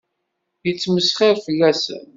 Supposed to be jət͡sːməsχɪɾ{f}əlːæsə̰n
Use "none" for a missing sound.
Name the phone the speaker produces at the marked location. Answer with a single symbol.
f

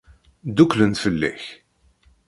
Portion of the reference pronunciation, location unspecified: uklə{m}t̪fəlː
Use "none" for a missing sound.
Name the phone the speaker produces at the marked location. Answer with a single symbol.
n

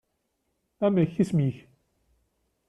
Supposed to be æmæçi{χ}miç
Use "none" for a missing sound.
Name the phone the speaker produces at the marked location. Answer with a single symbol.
s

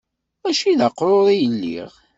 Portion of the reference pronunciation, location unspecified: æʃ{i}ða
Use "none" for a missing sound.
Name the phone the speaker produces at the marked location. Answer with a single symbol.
i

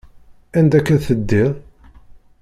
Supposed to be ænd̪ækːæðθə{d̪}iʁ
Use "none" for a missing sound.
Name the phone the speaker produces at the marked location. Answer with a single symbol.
d̪ː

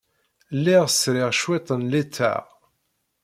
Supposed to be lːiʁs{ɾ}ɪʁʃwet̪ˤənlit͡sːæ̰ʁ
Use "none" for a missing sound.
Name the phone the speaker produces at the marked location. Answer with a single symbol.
ɾ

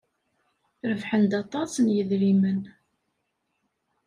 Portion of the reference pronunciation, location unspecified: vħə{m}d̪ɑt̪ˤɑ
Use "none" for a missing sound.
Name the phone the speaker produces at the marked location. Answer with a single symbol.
n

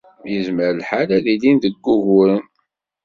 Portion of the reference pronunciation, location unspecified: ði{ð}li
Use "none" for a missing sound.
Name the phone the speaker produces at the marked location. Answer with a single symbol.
none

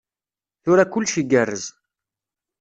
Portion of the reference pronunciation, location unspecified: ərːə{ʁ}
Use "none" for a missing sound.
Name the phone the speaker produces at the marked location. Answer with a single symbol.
z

